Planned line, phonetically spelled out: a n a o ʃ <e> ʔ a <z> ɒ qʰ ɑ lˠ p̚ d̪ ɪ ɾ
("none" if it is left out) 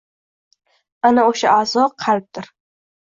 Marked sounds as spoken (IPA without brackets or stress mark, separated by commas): a, z